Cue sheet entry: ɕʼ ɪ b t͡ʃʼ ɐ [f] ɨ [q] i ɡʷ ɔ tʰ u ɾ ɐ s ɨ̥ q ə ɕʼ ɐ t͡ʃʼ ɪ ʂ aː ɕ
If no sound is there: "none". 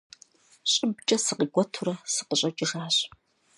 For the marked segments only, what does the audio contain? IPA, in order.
s, q

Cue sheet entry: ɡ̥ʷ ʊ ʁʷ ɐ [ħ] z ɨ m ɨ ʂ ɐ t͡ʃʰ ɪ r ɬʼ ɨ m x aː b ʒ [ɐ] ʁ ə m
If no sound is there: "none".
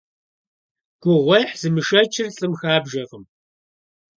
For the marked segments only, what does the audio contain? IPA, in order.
ħ, ɐ

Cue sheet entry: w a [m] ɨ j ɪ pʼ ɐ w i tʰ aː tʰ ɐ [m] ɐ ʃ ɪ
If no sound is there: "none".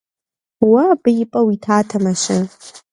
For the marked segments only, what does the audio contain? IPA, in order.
b, m

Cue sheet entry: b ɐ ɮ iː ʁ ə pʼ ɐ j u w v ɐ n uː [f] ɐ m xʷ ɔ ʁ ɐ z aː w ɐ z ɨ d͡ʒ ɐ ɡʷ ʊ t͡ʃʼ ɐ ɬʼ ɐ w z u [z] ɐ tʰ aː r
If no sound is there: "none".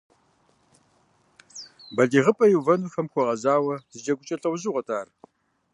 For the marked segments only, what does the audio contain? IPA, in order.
f, ʁ

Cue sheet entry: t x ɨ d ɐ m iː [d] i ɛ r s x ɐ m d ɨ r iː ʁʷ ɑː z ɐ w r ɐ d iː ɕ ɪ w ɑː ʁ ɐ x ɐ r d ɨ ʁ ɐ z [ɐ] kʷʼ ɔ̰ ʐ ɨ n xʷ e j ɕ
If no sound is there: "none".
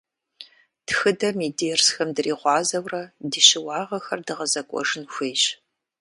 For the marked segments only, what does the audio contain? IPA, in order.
d, ɐ

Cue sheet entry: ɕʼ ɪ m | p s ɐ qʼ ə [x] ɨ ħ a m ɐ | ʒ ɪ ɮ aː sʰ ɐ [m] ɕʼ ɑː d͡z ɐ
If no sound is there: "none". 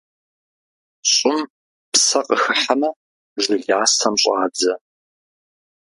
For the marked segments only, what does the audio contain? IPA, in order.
x, m

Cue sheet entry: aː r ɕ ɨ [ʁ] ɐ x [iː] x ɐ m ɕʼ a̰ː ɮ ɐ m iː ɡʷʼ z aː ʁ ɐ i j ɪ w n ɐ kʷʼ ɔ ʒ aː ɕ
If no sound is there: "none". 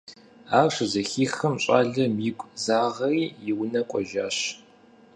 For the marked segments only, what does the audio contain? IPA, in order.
z, iː

